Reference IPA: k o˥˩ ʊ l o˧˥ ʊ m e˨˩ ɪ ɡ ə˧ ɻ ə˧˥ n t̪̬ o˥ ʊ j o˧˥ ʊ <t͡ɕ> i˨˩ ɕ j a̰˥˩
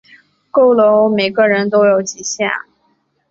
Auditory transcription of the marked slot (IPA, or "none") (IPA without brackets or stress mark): t͡ɕ